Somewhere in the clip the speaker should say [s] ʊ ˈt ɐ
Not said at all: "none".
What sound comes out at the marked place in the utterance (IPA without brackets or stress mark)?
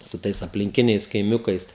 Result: s